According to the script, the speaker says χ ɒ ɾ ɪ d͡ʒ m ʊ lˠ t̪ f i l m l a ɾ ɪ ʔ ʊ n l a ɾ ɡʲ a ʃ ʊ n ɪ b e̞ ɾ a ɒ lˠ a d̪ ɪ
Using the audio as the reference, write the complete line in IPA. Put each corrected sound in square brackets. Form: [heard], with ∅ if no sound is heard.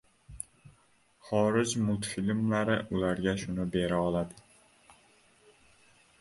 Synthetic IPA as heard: χ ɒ ɾ ɪ d͡ʒ m ʊ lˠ t̪ f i l m l a ɾ ɪ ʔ ʊ [∅] l a ɾ ɡʲ a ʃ ʊ n ɪ b e̞ ɾ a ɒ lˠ a d̪ ɪ